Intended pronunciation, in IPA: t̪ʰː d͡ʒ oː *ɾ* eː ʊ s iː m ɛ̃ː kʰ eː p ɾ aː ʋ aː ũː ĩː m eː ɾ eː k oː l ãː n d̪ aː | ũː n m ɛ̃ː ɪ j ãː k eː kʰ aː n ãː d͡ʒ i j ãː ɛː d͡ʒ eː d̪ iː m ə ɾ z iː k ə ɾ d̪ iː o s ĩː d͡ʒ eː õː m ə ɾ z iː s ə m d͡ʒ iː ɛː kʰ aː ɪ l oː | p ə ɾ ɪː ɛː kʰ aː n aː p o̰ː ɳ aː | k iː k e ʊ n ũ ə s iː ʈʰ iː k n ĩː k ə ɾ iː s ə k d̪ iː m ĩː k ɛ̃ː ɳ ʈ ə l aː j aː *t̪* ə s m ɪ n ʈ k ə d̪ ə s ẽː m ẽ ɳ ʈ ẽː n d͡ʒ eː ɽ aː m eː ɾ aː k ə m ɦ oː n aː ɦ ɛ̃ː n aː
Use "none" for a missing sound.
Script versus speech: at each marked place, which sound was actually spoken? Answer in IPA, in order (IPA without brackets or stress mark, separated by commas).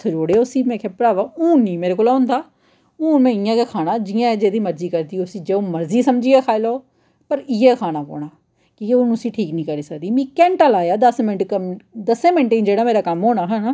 ɽ, d̪